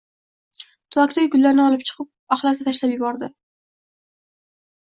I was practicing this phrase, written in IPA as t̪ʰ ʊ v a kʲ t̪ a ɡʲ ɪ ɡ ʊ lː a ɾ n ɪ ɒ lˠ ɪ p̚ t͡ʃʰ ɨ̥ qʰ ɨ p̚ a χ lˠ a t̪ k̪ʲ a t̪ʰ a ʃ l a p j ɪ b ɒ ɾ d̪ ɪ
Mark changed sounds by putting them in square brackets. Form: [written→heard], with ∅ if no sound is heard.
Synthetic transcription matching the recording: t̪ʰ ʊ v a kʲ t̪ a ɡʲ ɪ ɡ ʊ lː a ɾ n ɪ ɒ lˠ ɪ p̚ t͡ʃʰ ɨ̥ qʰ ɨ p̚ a χ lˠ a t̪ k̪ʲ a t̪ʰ a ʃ l a p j ɪ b ɒ ɾ d̪ ɪ